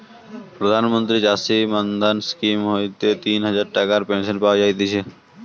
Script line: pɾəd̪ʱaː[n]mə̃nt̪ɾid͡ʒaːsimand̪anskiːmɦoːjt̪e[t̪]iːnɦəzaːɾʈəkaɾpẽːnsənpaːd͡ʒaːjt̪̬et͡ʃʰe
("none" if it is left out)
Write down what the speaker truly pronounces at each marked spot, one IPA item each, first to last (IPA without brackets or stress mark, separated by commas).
n, t̪